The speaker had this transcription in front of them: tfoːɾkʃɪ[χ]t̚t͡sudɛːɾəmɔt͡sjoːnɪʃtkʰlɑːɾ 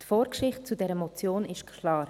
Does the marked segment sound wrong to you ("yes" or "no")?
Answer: no